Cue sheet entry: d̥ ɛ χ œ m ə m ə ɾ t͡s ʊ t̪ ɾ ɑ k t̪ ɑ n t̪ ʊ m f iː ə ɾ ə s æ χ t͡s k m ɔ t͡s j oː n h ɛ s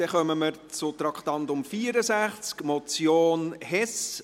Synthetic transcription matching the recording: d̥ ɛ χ œ m ə m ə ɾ t͡s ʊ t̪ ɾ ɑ k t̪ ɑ n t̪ ʊ m f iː ə ɾ ə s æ χ t͡s k m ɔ t͡s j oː n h ɛ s